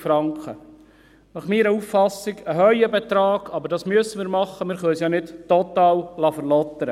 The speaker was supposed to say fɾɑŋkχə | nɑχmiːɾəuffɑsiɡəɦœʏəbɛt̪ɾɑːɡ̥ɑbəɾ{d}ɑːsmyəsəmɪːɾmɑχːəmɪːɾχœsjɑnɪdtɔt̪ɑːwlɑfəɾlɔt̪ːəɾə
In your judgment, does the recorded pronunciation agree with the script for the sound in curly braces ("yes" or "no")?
yes